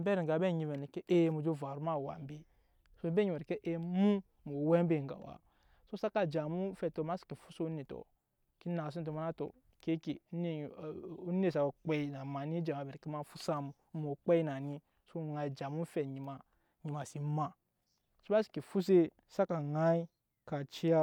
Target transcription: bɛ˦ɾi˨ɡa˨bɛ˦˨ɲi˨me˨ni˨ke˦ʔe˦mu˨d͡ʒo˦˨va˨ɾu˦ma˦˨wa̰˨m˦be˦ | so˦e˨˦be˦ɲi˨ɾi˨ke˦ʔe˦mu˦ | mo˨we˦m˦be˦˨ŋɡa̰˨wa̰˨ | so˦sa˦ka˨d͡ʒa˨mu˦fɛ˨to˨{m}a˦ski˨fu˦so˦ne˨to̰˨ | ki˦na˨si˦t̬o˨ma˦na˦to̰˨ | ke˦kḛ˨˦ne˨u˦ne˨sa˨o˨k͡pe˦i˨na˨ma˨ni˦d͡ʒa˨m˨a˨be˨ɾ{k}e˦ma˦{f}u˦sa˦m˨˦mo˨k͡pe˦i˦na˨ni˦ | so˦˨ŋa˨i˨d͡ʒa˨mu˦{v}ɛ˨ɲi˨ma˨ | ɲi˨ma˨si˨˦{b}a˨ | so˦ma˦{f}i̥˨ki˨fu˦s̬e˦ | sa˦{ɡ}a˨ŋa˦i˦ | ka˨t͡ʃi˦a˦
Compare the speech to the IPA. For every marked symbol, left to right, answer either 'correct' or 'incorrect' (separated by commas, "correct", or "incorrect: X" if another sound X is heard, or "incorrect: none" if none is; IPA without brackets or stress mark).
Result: correct, correct, correct, incorrect: f, incorrect: m, incorrect: s, incorrect: k